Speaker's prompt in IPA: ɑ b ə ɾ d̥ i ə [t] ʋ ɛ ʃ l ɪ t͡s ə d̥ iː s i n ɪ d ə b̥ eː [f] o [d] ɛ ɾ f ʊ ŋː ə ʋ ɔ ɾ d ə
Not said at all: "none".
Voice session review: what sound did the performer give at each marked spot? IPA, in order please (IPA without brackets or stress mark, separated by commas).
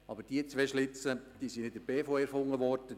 t͡s, f, none